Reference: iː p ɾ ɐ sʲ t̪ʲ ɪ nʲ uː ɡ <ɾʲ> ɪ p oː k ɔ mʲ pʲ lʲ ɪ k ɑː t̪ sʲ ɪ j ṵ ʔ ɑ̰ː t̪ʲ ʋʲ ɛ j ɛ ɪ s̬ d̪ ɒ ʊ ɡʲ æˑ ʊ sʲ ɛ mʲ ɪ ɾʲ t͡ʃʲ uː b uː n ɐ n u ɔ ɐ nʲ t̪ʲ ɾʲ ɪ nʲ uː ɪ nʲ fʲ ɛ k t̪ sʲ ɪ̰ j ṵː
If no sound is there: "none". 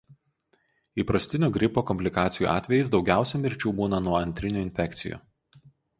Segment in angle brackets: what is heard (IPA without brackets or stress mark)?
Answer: ɾʲ